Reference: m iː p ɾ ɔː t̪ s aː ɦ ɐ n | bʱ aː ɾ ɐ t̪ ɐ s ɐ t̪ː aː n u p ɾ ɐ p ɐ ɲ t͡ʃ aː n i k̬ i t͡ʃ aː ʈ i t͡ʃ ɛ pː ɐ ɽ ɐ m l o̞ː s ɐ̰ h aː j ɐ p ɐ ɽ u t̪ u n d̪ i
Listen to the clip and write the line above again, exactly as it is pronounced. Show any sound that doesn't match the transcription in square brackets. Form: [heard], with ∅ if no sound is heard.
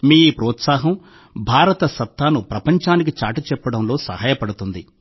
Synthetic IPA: m iː p ɾ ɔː t̪ s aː ɦ ɐ [m] | bʱ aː ɾ ɐ t̪ ɐ s ɐ t̪ː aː n u p ɾ ɐ p ɐ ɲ t͡ʃ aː n i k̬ i t͡ʃ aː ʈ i t͡ʃ ɛ pː ɐ ɽ ɐ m l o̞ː s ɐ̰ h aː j ɐ p ɐ ɽ u t̪ u n d̪ i